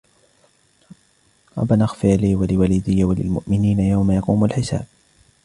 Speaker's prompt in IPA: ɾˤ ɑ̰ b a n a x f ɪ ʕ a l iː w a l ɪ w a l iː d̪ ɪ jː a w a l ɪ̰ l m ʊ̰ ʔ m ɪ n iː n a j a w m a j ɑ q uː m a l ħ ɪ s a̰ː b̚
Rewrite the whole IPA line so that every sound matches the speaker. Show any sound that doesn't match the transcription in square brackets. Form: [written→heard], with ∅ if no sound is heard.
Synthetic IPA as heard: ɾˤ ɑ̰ b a n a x f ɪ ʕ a l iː w a l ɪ w a l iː d̪ ɪ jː a w a l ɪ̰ l m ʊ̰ ʔ m ɪ n iː n a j a w m a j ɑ q uː m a l ħ ɪ s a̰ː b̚